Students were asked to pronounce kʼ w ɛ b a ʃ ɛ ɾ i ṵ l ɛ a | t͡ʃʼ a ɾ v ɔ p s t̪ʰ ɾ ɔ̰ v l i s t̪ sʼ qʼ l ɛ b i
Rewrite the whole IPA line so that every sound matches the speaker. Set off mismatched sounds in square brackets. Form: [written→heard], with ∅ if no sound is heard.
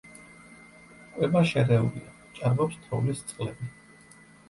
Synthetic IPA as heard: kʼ w ɛ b a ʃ ɛ ɾ [i→ɛ] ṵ l [ɛ→i] a | t͡ʃʼ a ɾ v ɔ p s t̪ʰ ɾ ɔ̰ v l i s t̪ sʼ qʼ l ɛ b i